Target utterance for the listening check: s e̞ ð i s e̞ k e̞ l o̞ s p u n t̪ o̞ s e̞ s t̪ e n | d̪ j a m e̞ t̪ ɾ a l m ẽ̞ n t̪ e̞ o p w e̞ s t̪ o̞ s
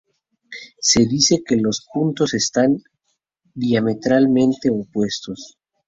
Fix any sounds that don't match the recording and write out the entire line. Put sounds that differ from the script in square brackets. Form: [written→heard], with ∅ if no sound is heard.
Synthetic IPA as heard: s e̞ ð i s e̞ k e̞ l o̞ s p u n t̪ o̞ s e̞ s t̪ [e→a] n | d̪ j a m e̞ t̪ ɾ a l m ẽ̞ n t̪ e̞ o p w e̞ s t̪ o̞ s